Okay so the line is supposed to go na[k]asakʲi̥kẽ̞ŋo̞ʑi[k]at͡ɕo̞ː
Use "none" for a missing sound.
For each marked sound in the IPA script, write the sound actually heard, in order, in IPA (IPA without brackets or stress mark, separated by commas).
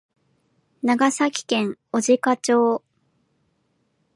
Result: ɡ, k